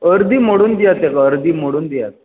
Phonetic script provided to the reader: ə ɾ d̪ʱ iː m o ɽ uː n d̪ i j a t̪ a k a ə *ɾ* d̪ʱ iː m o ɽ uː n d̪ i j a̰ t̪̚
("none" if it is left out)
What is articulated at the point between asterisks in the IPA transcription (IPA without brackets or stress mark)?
ɾ